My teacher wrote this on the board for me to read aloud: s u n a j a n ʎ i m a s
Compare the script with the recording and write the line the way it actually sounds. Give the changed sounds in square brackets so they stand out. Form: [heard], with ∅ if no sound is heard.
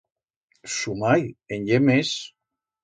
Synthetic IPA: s u [m] a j [e] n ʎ [e] m [e] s